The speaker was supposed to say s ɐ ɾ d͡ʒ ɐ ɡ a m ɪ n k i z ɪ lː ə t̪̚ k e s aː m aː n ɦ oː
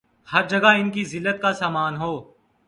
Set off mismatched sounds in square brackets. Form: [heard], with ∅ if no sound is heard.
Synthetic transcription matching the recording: [h] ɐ ɾ d͡ʒ ɐ ɡ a [∅] ɪ n k i z ɪ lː ə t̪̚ k [a] s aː m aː n ɦ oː